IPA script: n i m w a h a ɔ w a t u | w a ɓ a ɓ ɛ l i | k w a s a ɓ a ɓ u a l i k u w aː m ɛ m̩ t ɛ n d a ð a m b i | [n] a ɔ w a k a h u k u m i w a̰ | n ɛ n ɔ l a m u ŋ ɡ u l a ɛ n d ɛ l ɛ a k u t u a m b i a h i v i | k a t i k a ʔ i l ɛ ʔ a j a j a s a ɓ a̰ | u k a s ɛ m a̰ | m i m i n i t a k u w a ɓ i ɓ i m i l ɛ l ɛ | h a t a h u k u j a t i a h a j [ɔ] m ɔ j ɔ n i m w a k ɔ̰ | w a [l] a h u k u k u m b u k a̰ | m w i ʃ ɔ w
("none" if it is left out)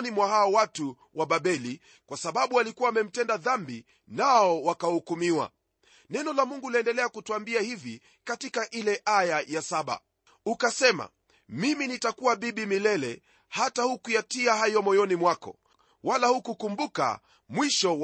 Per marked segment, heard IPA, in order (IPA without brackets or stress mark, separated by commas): n, ɔ, l